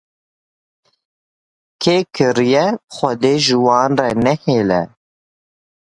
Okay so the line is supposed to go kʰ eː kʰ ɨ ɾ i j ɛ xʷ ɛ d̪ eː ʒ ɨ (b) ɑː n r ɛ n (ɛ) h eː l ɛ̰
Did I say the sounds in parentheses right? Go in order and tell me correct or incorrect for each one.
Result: incorrect: w, correct

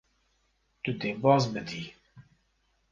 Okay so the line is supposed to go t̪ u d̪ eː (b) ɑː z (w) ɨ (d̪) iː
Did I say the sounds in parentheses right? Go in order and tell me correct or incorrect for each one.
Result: correct, incorrect: b, correct

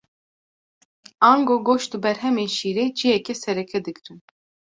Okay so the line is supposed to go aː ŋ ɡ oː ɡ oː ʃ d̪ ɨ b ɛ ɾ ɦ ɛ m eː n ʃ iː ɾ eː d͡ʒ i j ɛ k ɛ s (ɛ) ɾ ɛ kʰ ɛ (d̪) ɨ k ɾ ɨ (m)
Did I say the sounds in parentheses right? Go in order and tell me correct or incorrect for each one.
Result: correct, correct, incorrect: n

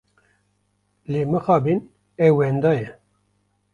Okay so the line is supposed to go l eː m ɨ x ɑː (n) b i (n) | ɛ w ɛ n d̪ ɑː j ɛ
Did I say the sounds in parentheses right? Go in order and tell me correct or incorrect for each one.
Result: incorrect: none, correct

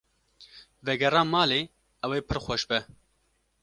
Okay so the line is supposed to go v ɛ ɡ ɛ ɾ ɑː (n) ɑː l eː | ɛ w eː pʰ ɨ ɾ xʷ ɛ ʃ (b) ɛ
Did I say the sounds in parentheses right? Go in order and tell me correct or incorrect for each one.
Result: incorrect: m, correct

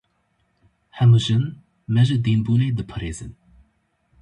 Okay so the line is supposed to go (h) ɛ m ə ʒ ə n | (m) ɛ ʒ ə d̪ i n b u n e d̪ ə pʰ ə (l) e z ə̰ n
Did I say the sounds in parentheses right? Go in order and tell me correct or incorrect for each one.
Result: correct, correct, incorrect: ɾ

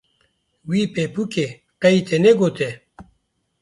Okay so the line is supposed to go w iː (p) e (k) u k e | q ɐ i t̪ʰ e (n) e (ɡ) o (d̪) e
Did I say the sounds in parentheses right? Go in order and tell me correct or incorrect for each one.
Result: correct, incorrect: p, correct, correct, incorrect: t̪

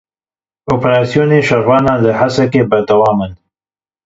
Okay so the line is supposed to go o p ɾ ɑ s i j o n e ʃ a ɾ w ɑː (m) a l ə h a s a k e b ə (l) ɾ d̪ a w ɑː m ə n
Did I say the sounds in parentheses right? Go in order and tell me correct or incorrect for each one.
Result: incorrect: n, incorrect: none

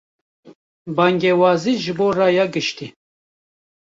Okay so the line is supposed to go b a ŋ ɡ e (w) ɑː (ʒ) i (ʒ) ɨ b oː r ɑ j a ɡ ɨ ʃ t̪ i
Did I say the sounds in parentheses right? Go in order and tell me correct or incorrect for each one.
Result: correct, incorrect: z, correct

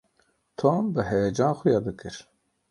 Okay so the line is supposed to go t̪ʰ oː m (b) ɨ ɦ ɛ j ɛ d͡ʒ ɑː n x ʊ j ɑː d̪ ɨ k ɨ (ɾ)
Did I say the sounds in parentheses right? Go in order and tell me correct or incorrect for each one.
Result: correct, correct

